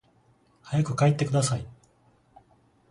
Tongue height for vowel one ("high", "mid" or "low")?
low